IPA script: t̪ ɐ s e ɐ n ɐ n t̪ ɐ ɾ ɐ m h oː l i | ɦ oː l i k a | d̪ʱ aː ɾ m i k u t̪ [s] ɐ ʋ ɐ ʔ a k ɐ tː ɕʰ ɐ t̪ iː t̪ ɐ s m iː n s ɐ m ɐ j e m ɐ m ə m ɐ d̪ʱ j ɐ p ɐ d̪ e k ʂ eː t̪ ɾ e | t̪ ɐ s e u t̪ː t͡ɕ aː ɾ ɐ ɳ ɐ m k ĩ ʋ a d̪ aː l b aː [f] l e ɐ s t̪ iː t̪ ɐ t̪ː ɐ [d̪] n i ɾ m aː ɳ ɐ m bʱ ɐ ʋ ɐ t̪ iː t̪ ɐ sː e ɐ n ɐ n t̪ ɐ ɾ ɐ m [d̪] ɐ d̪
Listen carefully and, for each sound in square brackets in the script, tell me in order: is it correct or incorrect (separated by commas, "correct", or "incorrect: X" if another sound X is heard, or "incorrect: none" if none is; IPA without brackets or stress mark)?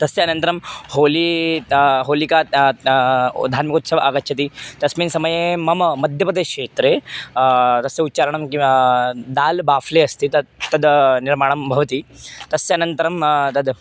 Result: correct, correct, correct, incorrect: t̪